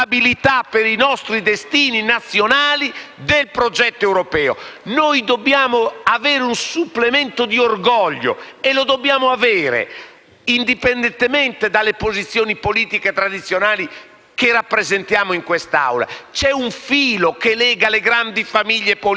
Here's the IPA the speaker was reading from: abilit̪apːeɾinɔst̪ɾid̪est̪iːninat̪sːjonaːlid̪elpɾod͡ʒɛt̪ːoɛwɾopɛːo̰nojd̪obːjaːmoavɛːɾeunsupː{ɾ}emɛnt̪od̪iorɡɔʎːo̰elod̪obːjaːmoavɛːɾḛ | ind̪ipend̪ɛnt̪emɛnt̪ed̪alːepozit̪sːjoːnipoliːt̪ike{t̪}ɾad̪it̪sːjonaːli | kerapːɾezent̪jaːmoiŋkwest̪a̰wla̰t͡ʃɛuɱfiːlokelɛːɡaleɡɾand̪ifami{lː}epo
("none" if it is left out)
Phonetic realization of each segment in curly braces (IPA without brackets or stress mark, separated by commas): l, t̪, ʎː